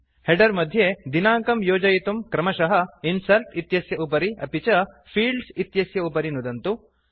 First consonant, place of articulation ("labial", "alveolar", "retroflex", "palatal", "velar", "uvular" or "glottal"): glottal